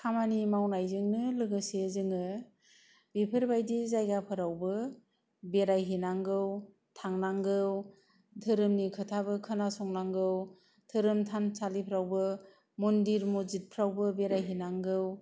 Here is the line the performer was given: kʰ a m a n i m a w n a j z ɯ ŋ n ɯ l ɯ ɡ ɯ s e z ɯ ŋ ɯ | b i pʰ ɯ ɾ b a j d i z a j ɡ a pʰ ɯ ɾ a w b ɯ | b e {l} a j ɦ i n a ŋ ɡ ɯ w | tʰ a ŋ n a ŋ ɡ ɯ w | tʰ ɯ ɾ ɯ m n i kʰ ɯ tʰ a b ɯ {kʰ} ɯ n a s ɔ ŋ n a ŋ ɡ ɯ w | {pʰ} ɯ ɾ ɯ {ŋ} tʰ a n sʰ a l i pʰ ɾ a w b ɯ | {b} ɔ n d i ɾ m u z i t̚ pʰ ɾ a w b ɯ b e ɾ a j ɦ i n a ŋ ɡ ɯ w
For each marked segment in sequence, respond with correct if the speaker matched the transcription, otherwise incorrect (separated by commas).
incorrect, correct, incorrect, incorrect, incorrect